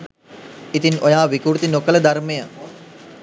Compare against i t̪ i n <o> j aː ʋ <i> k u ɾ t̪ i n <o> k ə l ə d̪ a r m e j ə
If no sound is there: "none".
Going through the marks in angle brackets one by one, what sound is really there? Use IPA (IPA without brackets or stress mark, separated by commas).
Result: o, i, o